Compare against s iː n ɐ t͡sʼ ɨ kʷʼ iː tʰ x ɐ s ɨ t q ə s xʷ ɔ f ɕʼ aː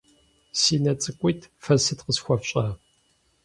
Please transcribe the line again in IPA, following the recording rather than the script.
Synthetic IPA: s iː n ɐ t͡sʼ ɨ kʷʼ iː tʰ f ɐ s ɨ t q ə s xʷ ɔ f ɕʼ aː